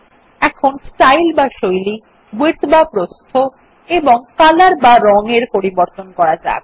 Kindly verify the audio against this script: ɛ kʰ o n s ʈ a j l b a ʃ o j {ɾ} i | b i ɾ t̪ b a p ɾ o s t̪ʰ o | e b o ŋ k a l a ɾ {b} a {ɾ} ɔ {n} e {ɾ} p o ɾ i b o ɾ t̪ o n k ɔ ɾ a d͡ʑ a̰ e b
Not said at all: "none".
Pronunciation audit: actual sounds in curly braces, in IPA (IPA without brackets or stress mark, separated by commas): l, b, ɾ, ŋ, ɾ